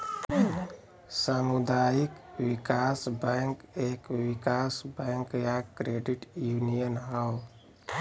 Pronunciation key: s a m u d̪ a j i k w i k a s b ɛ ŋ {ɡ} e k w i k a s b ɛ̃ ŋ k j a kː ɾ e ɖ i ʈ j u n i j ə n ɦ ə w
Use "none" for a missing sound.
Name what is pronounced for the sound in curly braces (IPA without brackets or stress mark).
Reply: k